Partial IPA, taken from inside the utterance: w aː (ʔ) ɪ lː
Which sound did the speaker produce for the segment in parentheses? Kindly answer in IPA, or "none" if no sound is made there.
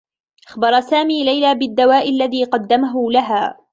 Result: ʔ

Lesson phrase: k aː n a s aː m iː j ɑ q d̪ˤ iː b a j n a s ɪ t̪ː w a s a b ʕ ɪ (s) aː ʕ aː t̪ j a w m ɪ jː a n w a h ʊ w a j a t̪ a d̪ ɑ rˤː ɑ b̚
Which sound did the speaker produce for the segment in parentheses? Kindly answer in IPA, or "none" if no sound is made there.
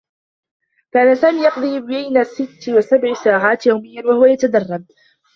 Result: s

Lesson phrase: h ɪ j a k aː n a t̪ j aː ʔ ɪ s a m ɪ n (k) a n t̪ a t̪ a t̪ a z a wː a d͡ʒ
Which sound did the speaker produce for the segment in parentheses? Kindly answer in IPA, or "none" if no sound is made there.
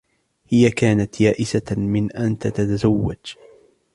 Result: ʔ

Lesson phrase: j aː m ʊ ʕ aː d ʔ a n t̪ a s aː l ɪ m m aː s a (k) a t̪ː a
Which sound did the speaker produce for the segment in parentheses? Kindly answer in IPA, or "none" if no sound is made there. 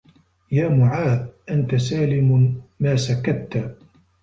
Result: k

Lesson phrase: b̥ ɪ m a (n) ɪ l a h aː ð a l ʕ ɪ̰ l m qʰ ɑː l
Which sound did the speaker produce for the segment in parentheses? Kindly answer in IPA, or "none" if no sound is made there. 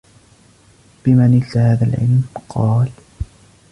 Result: n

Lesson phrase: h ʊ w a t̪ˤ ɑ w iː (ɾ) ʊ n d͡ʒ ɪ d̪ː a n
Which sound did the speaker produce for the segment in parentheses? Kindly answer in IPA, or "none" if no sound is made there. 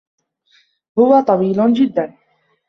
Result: l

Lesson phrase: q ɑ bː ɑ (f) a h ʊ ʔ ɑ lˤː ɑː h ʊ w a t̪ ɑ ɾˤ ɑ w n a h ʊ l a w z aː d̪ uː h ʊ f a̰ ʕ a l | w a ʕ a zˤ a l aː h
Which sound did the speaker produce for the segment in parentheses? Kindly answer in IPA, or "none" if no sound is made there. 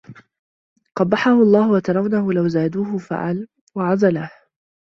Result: ħ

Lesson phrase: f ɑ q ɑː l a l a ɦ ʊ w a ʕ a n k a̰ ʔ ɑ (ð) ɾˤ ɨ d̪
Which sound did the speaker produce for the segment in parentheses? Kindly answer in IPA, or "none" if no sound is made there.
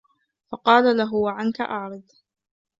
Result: ʕ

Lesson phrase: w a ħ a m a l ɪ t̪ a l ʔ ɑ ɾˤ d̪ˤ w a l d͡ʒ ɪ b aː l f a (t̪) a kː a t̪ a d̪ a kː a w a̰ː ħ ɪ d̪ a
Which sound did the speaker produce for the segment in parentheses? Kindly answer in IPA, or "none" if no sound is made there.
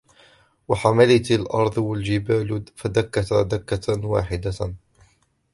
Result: d̪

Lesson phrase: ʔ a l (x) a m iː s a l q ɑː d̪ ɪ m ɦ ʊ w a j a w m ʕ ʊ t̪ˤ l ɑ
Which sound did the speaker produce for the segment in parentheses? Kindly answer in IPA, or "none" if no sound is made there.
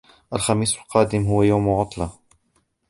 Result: x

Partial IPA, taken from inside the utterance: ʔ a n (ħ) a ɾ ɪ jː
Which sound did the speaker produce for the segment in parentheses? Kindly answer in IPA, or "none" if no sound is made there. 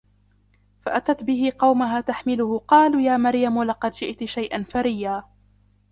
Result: f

